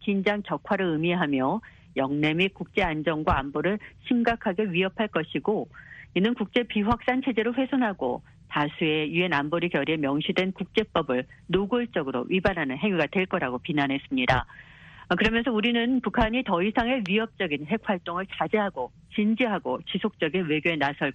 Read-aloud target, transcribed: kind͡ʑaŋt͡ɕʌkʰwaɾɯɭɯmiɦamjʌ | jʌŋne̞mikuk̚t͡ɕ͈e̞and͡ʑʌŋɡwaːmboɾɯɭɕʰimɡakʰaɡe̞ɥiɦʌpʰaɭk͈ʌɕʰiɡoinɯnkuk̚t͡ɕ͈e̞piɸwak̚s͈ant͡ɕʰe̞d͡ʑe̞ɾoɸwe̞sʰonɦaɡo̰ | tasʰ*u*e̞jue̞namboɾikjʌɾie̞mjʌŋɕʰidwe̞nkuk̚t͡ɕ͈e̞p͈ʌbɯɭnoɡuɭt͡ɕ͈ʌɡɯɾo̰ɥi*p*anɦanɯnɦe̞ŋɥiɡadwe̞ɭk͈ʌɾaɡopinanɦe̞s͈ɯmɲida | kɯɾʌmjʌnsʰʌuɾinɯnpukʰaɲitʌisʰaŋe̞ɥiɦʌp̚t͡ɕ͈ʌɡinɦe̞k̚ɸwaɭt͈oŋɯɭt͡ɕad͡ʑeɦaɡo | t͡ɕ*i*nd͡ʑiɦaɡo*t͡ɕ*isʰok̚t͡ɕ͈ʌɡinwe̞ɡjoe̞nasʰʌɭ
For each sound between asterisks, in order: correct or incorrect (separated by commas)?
correct, incorrect, correct, correct